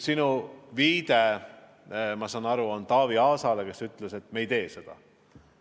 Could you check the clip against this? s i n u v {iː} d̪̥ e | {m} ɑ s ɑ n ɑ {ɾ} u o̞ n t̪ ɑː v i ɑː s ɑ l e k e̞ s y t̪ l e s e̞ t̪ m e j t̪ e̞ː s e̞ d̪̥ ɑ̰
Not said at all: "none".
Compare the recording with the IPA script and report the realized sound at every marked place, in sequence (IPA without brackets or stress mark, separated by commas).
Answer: iː, m, ɾ